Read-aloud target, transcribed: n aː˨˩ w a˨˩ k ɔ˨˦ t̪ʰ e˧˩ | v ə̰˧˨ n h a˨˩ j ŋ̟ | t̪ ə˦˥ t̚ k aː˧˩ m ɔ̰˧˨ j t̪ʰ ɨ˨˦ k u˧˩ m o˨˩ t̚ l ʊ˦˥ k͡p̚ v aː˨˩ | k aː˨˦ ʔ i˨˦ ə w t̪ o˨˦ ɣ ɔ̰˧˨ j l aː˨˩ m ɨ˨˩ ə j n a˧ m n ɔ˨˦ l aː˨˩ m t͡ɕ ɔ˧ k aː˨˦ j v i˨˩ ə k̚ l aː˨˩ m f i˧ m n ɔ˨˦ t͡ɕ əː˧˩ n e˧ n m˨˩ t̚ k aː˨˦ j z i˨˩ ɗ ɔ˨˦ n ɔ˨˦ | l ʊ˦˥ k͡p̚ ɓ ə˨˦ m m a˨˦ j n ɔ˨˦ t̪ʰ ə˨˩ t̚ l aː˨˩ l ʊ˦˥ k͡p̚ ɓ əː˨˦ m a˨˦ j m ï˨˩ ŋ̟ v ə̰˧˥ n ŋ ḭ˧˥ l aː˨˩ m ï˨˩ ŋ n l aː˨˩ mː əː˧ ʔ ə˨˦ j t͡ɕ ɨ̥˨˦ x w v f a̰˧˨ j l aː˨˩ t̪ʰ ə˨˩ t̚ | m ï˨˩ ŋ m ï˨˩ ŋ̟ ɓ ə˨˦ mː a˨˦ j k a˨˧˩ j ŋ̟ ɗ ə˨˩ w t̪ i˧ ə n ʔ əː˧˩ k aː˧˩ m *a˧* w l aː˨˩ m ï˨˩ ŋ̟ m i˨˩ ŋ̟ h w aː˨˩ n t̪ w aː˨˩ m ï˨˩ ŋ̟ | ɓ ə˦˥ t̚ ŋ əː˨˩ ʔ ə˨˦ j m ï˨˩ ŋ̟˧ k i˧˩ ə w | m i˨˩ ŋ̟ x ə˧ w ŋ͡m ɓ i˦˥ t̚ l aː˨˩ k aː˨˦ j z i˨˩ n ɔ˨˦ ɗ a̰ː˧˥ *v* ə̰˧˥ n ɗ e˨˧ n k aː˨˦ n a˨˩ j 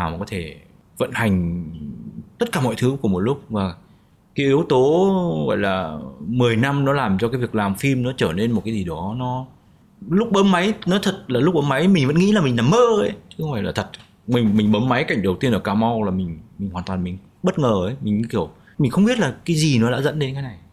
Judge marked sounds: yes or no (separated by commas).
yes, no